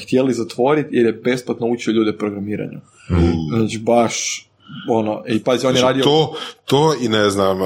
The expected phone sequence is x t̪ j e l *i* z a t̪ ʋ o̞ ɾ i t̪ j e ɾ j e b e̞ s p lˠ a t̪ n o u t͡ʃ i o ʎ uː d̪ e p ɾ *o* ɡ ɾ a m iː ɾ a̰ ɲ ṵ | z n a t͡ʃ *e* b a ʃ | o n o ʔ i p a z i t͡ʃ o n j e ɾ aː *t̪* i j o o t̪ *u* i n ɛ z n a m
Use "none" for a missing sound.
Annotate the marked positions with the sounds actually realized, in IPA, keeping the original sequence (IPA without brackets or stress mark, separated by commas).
i, o, i, d̪, o